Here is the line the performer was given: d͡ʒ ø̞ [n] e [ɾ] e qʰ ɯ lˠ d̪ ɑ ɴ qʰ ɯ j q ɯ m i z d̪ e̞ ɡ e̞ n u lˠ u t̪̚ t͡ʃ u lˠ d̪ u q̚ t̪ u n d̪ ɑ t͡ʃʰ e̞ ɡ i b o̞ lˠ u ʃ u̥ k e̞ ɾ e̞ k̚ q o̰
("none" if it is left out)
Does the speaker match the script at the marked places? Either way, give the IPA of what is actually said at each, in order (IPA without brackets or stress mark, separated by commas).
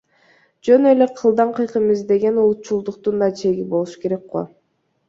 n, l